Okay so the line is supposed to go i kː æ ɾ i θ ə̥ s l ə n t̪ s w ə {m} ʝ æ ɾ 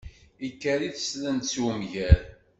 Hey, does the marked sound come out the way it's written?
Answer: yes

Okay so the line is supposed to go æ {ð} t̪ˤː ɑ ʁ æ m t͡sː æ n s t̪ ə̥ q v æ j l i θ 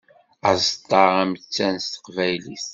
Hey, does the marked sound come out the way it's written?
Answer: no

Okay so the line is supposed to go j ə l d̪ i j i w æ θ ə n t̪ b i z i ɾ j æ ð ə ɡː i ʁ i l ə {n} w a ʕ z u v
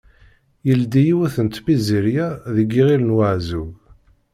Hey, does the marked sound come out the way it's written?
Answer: yes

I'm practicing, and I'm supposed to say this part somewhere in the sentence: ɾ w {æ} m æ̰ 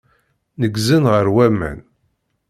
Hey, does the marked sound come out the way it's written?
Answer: yes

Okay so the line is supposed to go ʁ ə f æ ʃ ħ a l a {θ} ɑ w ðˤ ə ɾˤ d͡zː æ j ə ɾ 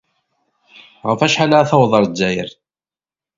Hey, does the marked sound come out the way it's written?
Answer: yes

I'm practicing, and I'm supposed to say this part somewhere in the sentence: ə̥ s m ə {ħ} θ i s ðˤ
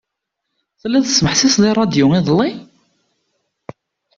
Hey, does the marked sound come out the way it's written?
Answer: yes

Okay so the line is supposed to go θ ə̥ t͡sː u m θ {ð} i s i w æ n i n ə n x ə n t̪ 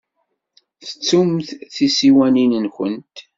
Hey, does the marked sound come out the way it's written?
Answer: no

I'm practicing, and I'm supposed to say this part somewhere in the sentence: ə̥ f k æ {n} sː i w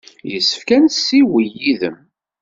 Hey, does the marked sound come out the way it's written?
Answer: yes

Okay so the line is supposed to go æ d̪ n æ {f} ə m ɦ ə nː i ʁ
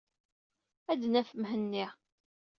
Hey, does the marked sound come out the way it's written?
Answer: yes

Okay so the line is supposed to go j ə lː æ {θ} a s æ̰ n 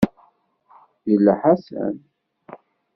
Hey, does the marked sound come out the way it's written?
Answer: no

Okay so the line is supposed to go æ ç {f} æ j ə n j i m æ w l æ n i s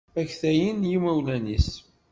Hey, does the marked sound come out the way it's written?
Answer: no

